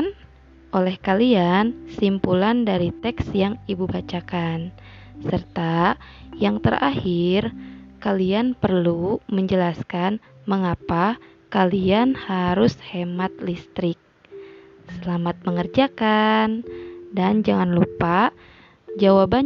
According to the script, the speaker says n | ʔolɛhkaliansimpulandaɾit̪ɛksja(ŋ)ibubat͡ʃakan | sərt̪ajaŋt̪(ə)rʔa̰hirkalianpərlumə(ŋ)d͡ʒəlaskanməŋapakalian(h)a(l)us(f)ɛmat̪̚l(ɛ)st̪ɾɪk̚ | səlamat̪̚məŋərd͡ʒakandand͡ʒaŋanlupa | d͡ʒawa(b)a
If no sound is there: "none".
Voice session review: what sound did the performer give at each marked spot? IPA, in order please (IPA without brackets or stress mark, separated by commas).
ŋ, ə, ɲ, h, ɾ, h, i, b